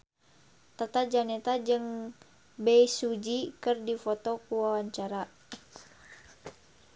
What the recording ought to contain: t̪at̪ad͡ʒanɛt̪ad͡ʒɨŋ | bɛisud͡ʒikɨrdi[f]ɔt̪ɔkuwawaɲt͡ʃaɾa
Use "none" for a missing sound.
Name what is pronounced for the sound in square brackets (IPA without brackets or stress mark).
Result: f